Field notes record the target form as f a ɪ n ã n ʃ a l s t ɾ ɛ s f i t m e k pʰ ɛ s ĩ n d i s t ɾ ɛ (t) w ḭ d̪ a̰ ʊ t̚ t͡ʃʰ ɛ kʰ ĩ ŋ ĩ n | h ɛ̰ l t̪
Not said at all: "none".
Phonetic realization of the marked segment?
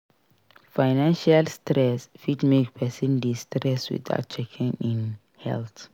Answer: s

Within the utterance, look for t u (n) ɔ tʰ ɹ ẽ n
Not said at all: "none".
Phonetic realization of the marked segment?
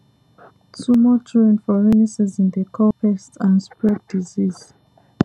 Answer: m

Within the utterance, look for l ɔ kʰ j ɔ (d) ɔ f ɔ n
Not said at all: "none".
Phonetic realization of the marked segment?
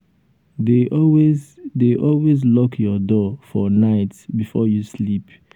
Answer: d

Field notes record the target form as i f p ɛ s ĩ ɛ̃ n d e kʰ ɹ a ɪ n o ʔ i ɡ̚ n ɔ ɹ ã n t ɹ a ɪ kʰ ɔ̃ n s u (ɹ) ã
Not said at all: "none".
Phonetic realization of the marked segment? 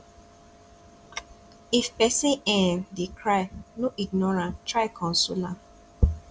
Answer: l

